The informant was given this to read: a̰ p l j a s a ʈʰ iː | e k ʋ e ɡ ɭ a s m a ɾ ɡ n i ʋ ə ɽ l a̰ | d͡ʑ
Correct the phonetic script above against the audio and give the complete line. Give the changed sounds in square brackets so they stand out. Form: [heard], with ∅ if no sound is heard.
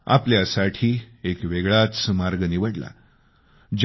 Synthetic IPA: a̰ p l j a s a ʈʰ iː | e k ʋ e ɡ ɭ a [t͡s] m a ɾ ɡ n i ʋ ə ɽ l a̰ | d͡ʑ